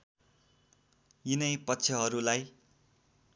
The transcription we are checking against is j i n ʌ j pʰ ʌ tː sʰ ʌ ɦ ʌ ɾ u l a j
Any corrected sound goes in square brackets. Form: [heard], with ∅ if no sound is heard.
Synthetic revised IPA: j i n ʌ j [p] ʌ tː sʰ ʌ ɦ ʌ ɾ u l a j